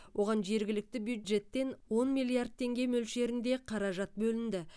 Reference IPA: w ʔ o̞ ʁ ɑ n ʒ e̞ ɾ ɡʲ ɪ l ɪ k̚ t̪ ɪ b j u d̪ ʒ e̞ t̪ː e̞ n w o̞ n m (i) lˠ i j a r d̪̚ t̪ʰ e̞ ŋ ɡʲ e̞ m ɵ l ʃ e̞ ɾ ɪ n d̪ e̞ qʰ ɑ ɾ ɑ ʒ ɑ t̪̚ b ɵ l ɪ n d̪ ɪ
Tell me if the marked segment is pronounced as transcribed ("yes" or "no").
yes